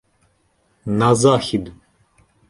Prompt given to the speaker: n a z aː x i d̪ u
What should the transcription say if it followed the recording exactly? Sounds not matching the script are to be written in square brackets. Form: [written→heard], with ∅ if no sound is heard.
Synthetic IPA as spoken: n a z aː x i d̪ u